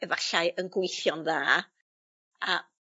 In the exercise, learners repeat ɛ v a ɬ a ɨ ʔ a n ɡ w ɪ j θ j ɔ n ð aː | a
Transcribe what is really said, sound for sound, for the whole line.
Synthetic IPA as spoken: ɛ v a ɬ a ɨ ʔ ə n ɡ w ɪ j θ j ɔ n ð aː | a

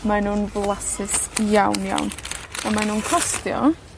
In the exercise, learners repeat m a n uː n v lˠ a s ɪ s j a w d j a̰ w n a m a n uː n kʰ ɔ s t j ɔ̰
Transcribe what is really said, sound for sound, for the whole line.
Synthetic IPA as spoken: m a n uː n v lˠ a s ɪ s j a w n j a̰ w n a m a n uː n kʰ ɔ s t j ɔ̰

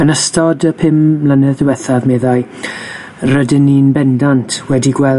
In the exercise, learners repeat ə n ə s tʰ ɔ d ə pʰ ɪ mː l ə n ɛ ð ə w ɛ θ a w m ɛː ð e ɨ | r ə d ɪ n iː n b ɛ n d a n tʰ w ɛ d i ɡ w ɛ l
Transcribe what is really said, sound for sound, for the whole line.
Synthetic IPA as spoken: ə n ə s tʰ ɔ d ə pʰ ɪ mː l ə n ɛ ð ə w ɛ θ a v m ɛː ð a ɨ | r ə d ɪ n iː n b ɛ n d a n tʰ w ɛ d i ɡ w ɛ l

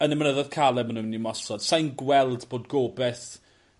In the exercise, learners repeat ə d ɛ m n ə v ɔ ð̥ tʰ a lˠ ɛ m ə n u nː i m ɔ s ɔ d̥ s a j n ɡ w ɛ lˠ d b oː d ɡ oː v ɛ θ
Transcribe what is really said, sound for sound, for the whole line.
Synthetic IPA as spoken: ə n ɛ m n ə ð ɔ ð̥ kʰ a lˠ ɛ m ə n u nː i m ɔ s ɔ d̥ s a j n ɡ w ɛ lˠ d b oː d ɡ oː b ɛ θ

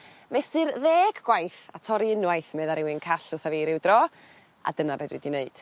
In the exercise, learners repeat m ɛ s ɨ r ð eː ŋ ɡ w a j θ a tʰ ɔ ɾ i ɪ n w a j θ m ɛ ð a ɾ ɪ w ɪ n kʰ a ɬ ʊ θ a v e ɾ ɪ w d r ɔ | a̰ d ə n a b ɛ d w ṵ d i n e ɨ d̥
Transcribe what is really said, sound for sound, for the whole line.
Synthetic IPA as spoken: m ɛ s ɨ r ð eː ɡ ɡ w a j θ a tʰ ɔ ɾ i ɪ n w a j θ m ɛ ð a ɾ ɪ w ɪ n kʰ a ɬ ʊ θ a v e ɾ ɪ w d r ɔ | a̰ d ə n a b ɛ d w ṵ d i n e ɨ d̥

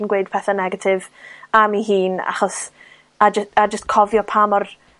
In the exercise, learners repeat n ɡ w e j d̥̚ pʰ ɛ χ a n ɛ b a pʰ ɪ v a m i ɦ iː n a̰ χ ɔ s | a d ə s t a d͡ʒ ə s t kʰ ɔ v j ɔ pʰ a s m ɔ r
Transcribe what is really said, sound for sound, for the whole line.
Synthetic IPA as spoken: n ɡ w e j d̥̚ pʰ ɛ θ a n ɛ ɡ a tʰ ɪ v a m i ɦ iː n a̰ χ ɔ s | a d͡ʒ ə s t a d͡ʒ ə s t kʰ ɔ v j ɔ pʰ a m ɔ r

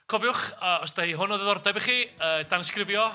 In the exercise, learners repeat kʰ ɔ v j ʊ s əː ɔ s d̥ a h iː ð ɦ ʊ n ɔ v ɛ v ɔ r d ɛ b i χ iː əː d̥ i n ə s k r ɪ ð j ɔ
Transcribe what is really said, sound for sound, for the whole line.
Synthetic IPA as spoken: kʰ ɔ v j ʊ χ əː ɔ s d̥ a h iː ɦ ʊ n ɔ ð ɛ ð ɔ r d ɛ b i χ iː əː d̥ a n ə s k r ɪ v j ɔ

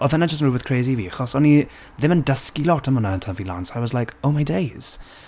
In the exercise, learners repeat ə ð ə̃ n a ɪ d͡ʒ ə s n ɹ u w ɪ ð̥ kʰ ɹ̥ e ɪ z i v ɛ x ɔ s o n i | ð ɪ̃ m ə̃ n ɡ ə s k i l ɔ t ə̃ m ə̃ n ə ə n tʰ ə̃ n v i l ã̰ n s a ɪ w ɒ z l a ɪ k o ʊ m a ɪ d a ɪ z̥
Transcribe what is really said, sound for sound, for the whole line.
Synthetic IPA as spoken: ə ð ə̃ n a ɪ d͡ʒ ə s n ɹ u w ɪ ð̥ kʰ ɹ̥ e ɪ z i v i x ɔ s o n i | ð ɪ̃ m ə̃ n d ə s k i l ɔ t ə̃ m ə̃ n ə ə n tʰ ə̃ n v i l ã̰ n s a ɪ w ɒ z l a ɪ k o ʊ m a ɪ d e ɪ z̥

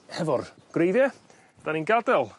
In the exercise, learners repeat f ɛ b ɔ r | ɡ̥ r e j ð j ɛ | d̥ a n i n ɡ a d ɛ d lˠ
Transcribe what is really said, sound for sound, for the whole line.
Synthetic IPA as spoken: h ɛ v ɔ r | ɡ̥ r e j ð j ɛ | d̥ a n i n ɡ a d ɛ lˠ

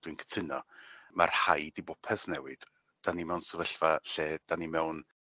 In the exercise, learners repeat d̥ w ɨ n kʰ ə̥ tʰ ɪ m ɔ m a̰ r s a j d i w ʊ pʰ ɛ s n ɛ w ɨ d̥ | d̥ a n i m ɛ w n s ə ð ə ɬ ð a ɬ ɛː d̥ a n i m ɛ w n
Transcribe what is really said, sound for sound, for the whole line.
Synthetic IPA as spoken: d̥ w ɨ n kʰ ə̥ tʰ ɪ n ɔ m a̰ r h a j d i b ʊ pʰ ɛ s n ɛ w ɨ d̥ | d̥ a n i m ɛ w n s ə v ə ɬ v a ɬ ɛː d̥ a n i m ɛ w n

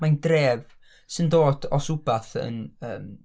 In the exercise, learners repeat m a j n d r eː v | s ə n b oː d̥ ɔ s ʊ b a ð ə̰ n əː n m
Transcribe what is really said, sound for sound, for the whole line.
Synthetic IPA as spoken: m a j n d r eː v | s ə n d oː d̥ ɔ s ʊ b a θ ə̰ n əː m

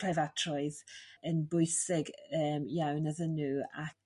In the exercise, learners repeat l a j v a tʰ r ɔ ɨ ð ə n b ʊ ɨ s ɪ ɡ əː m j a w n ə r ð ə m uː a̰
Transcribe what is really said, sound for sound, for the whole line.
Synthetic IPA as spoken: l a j v a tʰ r ɔ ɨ ð ə n b ʊ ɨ s ɪ ɡ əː m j a w n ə ð ə n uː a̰

